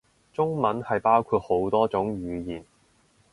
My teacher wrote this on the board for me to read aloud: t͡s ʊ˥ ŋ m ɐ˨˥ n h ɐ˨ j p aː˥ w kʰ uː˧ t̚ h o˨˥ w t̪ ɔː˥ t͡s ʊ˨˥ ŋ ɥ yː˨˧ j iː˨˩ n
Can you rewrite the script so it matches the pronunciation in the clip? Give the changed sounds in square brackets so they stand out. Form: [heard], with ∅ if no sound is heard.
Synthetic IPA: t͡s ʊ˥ ŋ m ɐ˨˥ n h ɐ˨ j p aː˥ w kʰ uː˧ t̚ h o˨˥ w t̪ ɔː˥ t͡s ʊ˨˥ ŋ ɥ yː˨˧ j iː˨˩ n